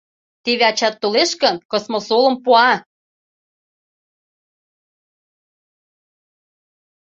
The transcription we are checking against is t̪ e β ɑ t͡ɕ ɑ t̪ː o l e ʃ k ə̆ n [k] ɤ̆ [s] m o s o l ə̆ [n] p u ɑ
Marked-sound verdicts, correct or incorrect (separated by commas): correct, correct, incorrect